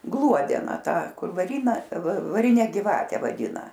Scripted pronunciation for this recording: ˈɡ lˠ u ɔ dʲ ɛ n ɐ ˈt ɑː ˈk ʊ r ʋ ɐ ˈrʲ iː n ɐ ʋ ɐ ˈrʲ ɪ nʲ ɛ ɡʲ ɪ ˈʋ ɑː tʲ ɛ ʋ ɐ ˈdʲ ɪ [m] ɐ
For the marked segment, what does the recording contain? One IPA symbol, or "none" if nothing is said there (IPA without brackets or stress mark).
n